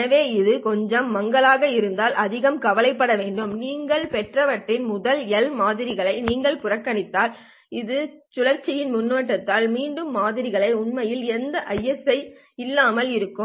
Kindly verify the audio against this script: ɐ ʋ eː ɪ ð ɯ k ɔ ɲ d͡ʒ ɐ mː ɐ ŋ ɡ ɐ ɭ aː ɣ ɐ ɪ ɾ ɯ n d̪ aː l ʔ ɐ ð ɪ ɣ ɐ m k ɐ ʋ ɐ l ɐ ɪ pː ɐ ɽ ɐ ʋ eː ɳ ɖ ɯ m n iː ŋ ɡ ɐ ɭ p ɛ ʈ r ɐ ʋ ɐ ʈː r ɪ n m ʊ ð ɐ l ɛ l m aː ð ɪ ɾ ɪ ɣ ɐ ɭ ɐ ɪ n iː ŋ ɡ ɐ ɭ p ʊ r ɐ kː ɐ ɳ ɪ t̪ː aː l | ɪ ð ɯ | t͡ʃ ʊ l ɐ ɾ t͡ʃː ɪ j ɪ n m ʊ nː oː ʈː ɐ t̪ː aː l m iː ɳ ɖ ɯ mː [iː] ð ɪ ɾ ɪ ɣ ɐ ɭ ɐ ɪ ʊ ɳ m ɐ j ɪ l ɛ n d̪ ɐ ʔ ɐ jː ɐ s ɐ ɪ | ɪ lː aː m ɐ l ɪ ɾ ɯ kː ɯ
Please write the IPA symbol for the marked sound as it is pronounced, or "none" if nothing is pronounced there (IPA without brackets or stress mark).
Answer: aː